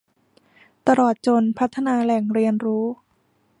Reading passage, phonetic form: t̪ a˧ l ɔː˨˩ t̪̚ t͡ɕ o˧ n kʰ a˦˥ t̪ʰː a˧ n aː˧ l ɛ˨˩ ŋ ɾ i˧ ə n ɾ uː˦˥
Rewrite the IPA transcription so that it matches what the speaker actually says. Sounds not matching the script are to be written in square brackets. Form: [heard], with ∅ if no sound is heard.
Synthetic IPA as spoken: t̪ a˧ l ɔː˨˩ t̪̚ t͡ɕ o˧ n [pʰ] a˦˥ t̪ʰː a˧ n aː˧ l ɛ˨˩ ŋ ɾ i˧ ə n ɾ uː˦˥